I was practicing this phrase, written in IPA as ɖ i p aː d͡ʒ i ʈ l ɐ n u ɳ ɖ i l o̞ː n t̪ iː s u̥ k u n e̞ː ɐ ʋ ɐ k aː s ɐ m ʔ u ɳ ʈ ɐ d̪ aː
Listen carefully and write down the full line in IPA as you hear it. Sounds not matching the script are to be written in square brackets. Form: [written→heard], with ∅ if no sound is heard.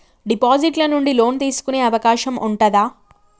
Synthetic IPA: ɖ i p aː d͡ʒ i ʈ l ɐ n u ɳ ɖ i l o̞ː n t̪ iː s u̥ k u n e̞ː ɐ ʋ ɐ k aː [s→ʃ] ɐ m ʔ u ɳ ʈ ɐ d̪ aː

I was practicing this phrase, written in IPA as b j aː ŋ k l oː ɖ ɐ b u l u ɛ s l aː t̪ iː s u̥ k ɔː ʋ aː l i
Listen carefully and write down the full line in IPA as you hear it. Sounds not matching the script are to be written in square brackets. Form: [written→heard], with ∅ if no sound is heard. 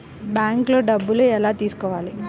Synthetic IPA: b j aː ŋ k l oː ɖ ɐ [b→bː] u l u ɛ [s→∅] l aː t̪ iː s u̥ k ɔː ʋ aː l i

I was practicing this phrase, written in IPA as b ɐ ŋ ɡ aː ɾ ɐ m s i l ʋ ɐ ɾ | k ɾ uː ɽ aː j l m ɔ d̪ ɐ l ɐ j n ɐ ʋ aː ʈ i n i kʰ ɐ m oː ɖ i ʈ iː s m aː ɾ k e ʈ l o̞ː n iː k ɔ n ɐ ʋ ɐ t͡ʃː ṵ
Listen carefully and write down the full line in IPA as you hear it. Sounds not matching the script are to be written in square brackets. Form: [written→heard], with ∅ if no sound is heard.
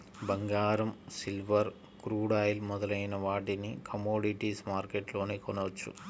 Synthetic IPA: b ɐ ŋ ɡ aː ɾ ɐ m s i l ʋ ɐ ɾ | k ɾ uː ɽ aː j l m ɔ d̪ ɐ l ɐ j n ɐ ʋ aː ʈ i n i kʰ ɐ m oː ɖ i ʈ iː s m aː ɾ k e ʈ l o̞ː n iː k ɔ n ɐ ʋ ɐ t͡ʃː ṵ

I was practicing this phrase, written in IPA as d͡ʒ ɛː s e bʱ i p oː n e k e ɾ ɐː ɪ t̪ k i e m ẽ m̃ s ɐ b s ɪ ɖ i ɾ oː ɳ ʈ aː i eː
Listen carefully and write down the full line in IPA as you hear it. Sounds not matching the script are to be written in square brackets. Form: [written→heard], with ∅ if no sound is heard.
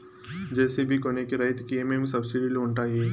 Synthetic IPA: d͡ʒ ɛː s e bʱ i [p→k] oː n e k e ɾ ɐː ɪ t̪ k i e m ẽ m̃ s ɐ b s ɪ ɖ i [ɾ→l] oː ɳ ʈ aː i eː

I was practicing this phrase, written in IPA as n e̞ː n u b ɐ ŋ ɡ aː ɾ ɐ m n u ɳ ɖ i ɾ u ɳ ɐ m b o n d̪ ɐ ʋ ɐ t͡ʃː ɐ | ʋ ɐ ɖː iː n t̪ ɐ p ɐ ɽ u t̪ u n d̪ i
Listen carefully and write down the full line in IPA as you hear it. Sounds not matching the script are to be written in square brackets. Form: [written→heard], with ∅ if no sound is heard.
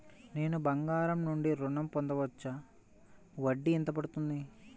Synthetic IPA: n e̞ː n u b ɐ ŋ ɡ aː ɾ ɐ m n u ɳ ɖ i ɾ u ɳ ɐ m [b→p] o n d̪ ɐ ʋ ɐ t͡ʃː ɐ | ʋ ɐ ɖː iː n t̪ ɐ p ɐ ɽ u t̪ u n d̪ i

